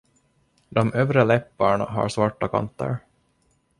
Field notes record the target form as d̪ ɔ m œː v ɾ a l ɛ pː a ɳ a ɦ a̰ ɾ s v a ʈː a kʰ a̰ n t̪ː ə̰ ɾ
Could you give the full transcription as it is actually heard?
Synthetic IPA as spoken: d̪ ɔ m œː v ɾ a l ɛ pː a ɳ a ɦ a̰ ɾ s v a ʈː a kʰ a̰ n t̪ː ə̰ ɾ

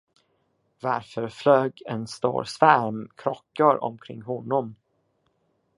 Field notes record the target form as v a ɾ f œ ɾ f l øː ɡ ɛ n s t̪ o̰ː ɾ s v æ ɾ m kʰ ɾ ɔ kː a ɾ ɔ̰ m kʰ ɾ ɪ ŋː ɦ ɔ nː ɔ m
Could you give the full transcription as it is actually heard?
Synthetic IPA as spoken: v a ɾ f œ ɾ f l øː ɡ ɛ n s t̪ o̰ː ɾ s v æ ɾ m kʰ ɾ ɔ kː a ɾ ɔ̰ m kʰ ɾ ɪ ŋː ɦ ɔ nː ɔ m

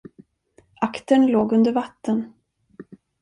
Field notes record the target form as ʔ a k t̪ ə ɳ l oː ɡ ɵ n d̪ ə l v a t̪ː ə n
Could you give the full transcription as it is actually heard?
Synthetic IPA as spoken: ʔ a k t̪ ə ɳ l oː ɡ ɵ n d̪ ə ɾ v a t̪ː ə n

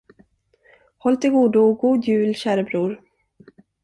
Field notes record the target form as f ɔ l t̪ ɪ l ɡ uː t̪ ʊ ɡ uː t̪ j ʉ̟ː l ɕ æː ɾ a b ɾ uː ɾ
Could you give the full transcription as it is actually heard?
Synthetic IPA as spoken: h ɔ l t̪ ɪ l ɡ uː d̪ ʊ ɡ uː d̪ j ʉ̟ː l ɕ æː ɾ ə b ɾ uː ɾ

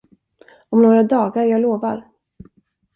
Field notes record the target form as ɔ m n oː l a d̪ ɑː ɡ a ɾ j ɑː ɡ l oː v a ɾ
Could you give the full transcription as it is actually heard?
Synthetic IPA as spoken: ɔ m n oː ɾ a d̪ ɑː ɡ a ɾ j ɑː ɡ l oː v a ɾ

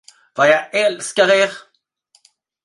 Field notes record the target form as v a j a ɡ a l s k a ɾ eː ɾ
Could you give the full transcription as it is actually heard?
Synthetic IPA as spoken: v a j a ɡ ɛ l s k a ɾ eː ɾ

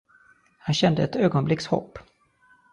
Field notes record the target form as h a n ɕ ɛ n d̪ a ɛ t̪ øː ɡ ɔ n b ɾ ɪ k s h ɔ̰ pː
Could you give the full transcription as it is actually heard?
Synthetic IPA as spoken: h a n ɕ ɛ n d̪ ə ɛ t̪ øː ɡ ɔ n b l ɪ k s h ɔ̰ pː

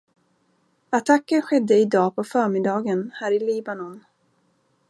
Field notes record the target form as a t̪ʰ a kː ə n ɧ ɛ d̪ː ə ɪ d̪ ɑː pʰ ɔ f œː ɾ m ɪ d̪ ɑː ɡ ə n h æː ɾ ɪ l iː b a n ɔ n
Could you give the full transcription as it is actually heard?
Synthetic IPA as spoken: a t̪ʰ a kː ə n ɧ ɛ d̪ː ə ɪ d̪ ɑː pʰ ɔ f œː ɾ m ɪ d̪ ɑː ɡ ə n h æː ɾ ɪ l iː b a n ɔ n

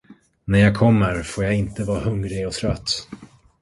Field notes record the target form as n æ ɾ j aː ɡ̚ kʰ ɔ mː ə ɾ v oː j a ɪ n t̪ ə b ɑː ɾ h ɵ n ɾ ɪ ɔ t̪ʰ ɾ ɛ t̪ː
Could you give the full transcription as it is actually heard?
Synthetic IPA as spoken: n æ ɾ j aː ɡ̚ kʰ ɔ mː ə ɾ f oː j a ɪ n t̪ ə v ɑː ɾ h ɵ ŋ ɾ ɪ ɔ t̪ʰ ɾ œ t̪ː

